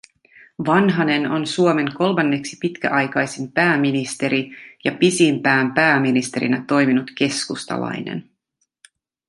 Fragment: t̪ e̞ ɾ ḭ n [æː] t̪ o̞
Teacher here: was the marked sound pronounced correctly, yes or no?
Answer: no